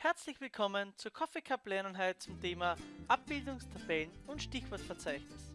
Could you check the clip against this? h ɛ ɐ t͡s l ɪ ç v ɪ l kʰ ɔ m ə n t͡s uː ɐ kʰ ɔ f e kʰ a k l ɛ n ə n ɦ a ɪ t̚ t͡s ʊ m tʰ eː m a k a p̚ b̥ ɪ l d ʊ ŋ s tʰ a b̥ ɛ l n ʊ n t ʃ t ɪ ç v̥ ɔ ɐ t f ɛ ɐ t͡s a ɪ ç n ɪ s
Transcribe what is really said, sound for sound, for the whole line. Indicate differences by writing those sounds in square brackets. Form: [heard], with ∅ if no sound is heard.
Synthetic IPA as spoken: h ɛ ɐ t͡s l ɪ ç v ɪ l kʰ ɔ m ə n t͡s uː ɐ kʰ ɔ f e kʰ a [p] l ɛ n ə n ɦ a ɪ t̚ t͡s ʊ m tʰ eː m a [ʔ] a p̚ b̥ ɪ l d ʊ ŋ s tʰ a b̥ ɛ l n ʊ n t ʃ t ɪ ç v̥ ɔ ɐ t f ɛ ɐ t͡s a ɪ ç n ɪ s